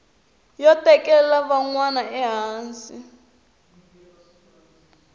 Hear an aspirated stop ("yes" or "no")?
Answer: no